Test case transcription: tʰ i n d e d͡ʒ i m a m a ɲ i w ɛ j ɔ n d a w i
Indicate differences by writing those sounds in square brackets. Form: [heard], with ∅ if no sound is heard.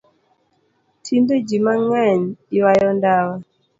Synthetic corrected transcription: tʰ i n d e d͡ʒ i m a [ŋ] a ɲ i w [a] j ɔ n d a w [a]